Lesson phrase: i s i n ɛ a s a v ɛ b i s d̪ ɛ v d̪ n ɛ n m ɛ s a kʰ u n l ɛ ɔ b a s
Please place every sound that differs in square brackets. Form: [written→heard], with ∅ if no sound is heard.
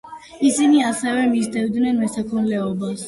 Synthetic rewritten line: i s i n [ɛ→i] a s [a→ɛ] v ɛ [b→m] i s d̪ ɛ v d̪ n ɛ n m ɛ s a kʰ u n l ɛ ɔ b a s